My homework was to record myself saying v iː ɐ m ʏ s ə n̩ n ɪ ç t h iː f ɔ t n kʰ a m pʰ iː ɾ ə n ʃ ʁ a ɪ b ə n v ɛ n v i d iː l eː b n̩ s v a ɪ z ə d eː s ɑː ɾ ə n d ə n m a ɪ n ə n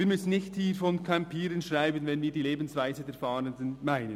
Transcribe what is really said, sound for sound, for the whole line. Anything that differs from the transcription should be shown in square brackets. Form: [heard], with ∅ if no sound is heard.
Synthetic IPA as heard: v iː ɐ m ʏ s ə n̩ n ɪ ç t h iː f ɔ [∅] n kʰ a m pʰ iː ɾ ə n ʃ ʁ a ɪ b ə n v ɛ n v [iː] d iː l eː b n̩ s v a ɪ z ə d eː [f] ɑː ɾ ə n d ə n m a ɪ n ə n